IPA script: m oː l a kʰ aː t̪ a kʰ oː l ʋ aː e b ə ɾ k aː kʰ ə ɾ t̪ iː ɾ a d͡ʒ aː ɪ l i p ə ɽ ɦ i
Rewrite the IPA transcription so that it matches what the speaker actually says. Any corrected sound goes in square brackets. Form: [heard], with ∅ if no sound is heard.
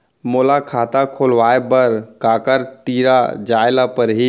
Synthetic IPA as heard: m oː l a kʰ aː t̪ a kʰ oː l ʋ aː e b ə ɾ k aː [k] ə ɾ t̪ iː ɾ a d͡ʒ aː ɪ l [a] p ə [ɾ] ɦ i